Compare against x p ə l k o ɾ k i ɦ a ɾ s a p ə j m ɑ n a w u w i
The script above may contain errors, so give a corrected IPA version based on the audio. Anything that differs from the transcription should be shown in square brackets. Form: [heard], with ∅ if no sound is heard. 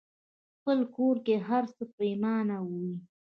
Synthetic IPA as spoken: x p ə l k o ɾ k [e] ɦ a ɾ s [ə] p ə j m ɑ n a w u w i